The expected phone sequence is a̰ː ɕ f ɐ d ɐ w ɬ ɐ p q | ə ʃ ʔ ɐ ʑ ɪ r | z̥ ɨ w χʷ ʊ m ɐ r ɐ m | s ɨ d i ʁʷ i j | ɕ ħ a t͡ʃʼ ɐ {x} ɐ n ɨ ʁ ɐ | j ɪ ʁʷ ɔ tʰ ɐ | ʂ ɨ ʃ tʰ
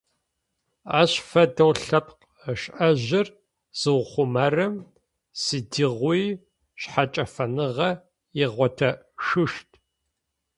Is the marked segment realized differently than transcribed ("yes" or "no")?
yes